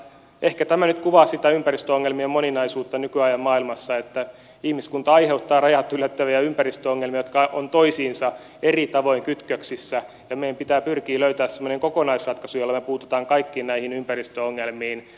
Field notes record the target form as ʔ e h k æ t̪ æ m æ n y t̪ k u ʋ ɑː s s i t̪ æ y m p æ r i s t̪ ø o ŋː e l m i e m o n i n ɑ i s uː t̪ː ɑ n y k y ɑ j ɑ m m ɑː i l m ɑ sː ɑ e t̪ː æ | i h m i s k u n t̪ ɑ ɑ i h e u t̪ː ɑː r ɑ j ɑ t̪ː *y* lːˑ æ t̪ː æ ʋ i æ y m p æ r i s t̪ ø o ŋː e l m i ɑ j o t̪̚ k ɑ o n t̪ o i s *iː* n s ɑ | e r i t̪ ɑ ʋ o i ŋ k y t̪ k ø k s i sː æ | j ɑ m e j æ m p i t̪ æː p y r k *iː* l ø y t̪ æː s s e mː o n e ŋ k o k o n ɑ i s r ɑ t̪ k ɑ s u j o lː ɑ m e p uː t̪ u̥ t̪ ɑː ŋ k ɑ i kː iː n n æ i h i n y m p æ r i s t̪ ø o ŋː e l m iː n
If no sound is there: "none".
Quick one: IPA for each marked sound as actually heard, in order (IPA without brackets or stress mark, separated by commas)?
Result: y, iː, iː